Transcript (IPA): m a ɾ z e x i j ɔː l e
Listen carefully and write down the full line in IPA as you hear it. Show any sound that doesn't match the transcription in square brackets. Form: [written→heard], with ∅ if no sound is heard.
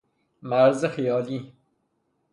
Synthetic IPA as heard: m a ɾ z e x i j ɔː l [e→i]

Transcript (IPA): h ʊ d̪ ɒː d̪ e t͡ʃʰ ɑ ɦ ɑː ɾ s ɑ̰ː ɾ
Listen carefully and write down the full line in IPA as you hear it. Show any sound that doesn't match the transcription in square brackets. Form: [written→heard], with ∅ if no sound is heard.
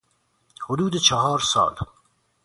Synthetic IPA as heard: h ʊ d̪ [ɒː→uː] d̪ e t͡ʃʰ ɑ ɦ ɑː ɾ s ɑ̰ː [ɾ→l]

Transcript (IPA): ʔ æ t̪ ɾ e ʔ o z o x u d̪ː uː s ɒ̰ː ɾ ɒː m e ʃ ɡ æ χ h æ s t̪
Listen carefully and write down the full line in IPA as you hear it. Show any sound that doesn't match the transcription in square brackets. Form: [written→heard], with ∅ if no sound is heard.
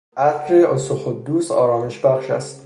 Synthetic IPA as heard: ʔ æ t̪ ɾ e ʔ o [z→s] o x [u→o] d̪ː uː s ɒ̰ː ɾ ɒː m e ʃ [ɡ→b] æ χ [h→ʃ] æ s t̪

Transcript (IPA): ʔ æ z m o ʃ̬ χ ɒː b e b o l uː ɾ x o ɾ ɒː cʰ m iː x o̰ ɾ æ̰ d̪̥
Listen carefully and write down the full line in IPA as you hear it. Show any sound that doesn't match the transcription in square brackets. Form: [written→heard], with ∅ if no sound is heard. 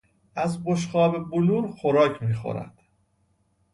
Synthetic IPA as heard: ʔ æ z [m→b] o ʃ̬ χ ɒː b e b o l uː ɾ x o ɾ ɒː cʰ m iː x o̰ ɾ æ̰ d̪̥

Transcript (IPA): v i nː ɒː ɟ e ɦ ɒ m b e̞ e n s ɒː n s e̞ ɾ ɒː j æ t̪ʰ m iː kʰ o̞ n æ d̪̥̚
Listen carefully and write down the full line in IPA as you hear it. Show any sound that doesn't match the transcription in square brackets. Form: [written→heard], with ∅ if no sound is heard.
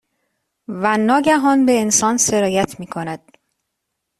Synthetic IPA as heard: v [i→æ] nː ɒː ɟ [e→æ] ɦ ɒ [m→n] b e̞ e n s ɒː n s e̞ ɾ ɒː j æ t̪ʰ m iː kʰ o̞ n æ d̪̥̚

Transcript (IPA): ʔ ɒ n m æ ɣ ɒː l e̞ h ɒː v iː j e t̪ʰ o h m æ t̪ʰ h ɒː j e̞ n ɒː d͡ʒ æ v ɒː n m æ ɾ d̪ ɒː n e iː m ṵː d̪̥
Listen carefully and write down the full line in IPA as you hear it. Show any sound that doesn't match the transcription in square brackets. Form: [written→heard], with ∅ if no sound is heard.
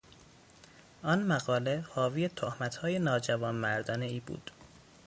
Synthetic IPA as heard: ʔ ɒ n m æ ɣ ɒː l e̞ h ɒː v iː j e t̪ʰ o h m æ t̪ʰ h ɒː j e̞ n ɒː d͡ʒ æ v ɒː n m æ ɾ d̪ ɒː n e iː [m→b] ṵː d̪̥

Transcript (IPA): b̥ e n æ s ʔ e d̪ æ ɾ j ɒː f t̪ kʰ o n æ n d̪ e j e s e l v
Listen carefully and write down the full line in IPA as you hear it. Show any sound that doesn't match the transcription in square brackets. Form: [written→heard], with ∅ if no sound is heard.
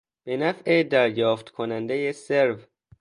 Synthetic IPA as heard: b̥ e n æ [s→f] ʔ e d̪ æ ɾ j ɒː f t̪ kʰ o n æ n d̪ e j e s e [l→ɾ] v

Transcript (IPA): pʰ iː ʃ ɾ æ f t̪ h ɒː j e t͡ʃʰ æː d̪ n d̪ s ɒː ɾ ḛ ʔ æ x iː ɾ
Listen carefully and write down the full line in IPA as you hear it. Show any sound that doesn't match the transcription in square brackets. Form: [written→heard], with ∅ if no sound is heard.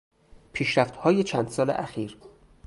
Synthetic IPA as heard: pʰ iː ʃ ɾ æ f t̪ h ɒː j e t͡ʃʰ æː [d̪→∅] n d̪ s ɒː [ɾ→l] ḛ ʔ æ x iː ɾ

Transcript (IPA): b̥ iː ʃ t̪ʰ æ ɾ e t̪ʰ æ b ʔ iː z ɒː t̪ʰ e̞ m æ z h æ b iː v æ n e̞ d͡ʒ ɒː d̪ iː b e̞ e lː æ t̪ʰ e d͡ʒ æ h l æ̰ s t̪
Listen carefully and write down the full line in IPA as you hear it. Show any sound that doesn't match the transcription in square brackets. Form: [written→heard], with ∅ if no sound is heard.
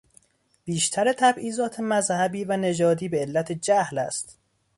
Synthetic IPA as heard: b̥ iː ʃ t̪ʰ æ ɾ e t̪ʰ æ b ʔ iː z ɒː t̪ʰ e̞ m æ z h æ b iː v æ n e̞ d͡ʒ ɒː d̪ iː b e̞ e lː æ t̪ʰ e d͡ʒ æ h l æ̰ s t̪

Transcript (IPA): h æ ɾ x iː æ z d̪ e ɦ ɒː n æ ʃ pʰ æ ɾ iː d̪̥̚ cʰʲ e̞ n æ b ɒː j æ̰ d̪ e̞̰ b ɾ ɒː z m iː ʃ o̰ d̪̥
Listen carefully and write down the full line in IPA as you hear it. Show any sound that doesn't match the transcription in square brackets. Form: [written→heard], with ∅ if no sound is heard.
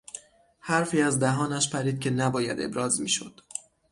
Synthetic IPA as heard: h æ ɾ [x→f] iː æ z d̪ [e→æ] ɦ ɒː n æ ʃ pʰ æ ɾ iː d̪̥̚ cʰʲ e̞ n æ b ɒː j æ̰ d̪ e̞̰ b ɾ ɒː z m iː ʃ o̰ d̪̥

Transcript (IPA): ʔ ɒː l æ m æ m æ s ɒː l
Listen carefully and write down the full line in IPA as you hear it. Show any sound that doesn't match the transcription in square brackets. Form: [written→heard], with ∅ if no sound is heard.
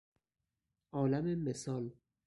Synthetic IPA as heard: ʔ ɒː l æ m [æ→e] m [æ→e] s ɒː l

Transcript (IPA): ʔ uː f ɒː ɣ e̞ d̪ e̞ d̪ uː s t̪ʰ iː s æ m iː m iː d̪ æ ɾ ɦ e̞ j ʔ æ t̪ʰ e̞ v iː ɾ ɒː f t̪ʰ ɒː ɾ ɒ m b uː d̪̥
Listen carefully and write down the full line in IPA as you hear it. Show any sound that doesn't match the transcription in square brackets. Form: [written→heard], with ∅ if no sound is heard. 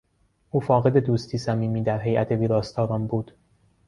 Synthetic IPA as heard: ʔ uː f ɒː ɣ e̞ d̪ e̞ d̪ uː s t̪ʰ iː s æ m iː m iː d̪ æ ɾ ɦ e̞ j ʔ æ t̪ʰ e̞ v iː ɾ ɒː [f→s] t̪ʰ ɒː ɾ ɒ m b uː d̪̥

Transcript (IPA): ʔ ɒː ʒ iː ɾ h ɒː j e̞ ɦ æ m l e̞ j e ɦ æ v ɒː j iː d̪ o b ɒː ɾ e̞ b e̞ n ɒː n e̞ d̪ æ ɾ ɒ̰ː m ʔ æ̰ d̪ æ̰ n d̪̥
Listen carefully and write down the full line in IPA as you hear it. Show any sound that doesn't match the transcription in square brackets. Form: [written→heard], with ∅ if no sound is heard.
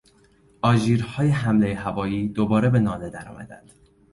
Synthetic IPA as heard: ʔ ɒː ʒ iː ɾ h ɒː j e̞ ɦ æ m l e̞ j e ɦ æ v ɒː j iː d̪ o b ɒː ɾ e̞ b e̞ n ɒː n e̞ d̪ æ ɾ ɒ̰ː m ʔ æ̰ d̪ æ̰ n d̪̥

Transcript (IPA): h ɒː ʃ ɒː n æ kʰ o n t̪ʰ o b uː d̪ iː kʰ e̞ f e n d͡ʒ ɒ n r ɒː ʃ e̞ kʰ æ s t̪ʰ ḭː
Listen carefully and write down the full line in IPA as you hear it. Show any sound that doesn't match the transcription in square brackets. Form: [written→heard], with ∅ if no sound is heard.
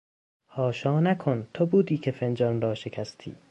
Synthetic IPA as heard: h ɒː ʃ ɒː n æ kʰ o n t̪ʰ o b uː d̪ iː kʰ e̞ f e n d͡ʒ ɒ n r ɒː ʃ e̞ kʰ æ s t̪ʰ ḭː

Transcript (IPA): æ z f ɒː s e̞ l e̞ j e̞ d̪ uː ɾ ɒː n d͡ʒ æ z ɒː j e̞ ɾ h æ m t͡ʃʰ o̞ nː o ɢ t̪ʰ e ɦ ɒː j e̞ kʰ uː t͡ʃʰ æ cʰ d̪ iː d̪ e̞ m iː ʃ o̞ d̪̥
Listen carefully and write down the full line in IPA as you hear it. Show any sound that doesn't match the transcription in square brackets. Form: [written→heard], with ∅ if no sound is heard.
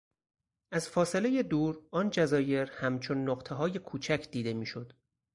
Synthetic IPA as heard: æ z f ɒː s e̞ l e̞ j e̞ d̪ uː ɾ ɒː n d͡ʒ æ z ɒː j e̞ ɾ h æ m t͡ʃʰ o̞ nː o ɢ t̪ʰ e ɦ ɒː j e̞ kʰ uː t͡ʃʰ æ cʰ d̪ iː d̪ e̞ m iː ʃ o̞ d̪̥

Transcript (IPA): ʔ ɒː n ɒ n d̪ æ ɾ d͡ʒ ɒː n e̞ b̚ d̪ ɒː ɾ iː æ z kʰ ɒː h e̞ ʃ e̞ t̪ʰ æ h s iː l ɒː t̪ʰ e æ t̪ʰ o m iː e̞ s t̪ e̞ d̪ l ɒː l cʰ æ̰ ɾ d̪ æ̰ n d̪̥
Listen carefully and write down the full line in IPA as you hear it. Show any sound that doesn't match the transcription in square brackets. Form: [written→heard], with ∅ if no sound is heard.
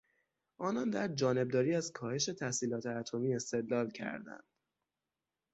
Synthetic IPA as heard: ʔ ɒː n ɒ n d̪ æ ɾ d͡ʒ ɒː n e̞ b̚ d̪ ɒː ɾ iː æ z kʰ ɒː h e̞ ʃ e̞ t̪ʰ æ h s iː l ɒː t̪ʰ e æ t̪ʰ o m iː e̞ s t̪ e̞ d̪ l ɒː l cʰ æ̰ ɾ d̪ æ̰ n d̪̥

